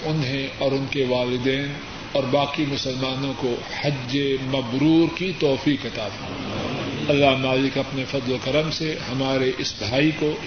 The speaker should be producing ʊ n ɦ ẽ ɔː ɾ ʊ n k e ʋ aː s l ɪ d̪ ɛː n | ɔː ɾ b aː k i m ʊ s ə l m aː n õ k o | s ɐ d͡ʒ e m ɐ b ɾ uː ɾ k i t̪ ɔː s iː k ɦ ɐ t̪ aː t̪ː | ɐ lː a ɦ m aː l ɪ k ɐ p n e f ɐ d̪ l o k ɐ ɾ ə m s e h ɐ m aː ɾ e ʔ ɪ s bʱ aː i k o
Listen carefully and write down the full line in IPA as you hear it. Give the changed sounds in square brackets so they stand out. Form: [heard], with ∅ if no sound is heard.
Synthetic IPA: ʊ n ɦ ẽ ɔː ɾ ʊ n k e ʋ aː [∅] l ɪ d̪ ɛː n | ɔː ɾ b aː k i m ʊ s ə l m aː n õ k o | [h] ɐ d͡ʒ e m ɐ b ɾ uː ɾ k i t̪ ɔː [f] iː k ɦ ɐ t̪ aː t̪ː | ɐ lː a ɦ m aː l ɪ k ɐ p n e f ɐ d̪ l o k ɐ ɾ ə m s e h ɐ m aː ɾ e ʔ ɪ s bʱ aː i k o